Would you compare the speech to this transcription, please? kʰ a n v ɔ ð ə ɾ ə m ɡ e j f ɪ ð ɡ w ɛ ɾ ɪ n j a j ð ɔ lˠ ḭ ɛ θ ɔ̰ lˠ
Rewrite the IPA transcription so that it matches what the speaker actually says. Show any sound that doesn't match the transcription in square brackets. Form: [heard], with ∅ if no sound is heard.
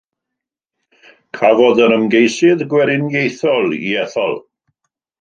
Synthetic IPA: kʰ a [∅] v ɔ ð ə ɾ ə m ɡ e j [s] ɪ ð ɡ w ɛ ɾ ɪ n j [e] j [θ] ɔ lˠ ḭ ɛ θ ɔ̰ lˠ

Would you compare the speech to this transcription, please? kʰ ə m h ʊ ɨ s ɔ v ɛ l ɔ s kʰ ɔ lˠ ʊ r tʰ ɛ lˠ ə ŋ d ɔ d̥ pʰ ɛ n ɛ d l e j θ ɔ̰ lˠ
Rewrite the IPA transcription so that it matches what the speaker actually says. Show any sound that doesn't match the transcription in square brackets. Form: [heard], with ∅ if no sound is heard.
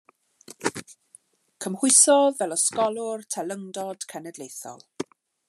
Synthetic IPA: kʰ ə m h ʊ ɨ s ɔ v ɛ l ɔ s [k] ɔ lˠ ʊ r tʰ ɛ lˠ ə ŋ d ɔ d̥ [kʰ] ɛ n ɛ d l e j θ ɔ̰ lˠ

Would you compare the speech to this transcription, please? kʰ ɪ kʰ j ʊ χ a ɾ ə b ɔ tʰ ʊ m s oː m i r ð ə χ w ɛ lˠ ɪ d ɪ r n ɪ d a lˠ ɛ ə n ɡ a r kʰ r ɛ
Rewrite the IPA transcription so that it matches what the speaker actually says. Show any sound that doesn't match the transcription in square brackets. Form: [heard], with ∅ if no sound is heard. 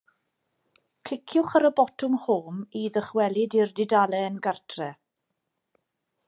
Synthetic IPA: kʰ ɪ kʰ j ʊ χ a ɾ ə b ɔ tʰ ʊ m [h] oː m i [∅] ð ə χ w ɛ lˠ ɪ d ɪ r [d] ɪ d a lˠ ɛ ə n ɡ a r [tʰ] r ɛ

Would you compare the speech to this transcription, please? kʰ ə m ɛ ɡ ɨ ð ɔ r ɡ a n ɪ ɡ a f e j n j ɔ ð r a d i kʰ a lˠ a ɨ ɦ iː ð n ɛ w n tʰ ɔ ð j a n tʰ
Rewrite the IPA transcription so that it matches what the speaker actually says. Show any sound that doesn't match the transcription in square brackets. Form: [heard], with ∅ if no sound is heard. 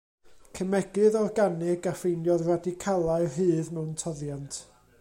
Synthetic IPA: kʰ ə m ɛ ɡ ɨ ð ɔ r ɡ a n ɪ ɡ a f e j n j ɔ ð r a d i kʰ a lˠ a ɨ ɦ [ɨː] ð [m] ɛ w n tʰ ɔ ð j a n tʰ

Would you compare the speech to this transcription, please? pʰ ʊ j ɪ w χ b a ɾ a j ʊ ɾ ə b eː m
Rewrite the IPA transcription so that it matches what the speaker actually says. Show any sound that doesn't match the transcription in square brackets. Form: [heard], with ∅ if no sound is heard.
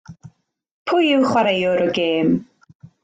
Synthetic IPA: pʰ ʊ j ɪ w χ [w] a ɾ [e] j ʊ ɾ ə [ɡ] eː m

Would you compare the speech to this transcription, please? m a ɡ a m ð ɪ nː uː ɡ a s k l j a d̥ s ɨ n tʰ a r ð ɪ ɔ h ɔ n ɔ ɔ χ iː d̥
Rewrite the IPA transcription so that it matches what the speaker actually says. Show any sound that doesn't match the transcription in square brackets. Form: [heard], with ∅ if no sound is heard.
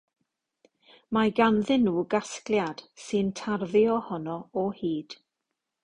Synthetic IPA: m a ɡ a [n] ð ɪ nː uː ɡ a s k l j a d̥ s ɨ n tʰ a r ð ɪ ɔ h ɔ n ɔ ɔ [h] iː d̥

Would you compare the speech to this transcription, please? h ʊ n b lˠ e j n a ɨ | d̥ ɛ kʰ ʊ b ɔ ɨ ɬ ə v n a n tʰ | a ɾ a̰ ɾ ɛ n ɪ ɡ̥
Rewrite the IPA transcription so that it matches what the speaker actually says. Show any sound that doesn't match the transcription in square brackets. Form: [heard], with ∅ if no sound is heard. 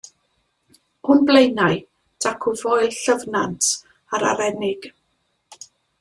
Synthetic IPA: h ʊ n b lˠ e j n a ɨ | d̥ [a] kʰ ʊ [v] ɔ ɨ ɬ ə v n a n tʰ | a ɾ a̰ ɾ ɛ n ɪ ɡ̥

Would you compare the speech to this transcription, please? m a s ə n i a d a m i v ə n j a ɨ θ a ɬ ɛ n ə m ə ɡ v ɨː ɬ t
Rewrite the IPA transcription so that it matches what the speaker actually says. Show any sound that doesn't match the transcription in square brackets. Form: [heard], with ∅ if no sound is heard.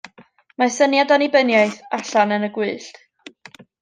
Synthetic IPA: m a s ə n [j] a d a [n] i [b] ə n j a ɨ θ a ɬ [a] n ə [n] ə ɡ [w] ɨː ɬ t

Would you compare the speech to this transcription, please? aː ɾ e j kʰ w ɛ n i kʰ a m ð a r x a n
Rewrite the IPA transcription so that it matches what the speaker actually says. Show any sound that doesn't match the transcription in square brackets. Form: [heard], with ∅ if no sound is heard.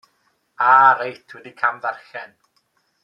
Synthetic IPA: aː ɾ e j [tʰ] w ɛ [d] i kʰ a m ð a r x [ɛ] n

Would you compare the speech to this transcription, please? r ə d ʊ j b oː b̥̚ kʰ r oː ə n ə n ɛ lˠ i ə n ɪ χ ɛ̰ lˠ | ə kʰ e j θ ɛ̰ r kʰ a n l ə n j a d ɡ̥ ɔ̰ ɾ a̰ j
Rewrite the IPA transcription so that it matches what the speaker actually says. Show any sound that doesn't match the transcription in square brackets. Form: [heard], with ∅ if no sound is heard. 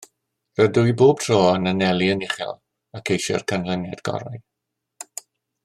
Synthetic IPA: r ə d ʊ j b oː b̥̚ [tʰ] r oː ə n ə n ɛ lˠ i ə n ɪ χ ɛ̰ lˠ | [a] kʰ e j [ʃ] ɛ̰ r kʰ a n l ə n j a d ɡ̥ ɔ̰ ɾ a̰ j

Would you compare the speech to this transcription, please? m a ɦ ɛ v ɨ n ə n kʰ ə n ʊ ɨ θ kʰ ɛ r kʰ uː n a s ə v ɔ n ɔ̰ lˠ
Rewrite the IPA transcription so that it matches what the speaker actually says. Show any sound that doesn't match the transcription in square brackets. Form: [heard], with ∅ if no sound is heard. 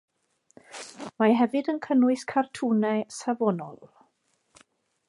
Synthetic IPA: m a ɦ ɛ v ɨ [d] ə n kʰ ə n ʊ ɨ [s] kʰ [a] r [tʰ] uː n [ɛ] s [a] v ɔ n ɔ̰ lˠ

